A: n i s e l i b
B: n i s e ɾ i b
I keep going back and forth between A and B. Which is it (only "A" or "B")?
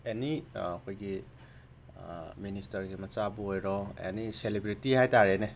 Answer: A